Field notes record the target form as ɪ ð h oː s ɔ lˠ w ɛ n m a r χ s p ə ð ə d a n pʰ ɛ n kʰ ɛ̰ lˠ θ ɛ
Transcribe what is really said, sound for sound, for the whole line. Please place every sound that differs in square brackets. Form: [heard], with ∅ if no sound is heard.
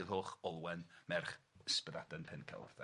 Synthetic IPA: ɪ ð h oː [χ] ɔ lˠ w ɛ n m [ɛ] r χ s p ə ð [a] d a n pʰ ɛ n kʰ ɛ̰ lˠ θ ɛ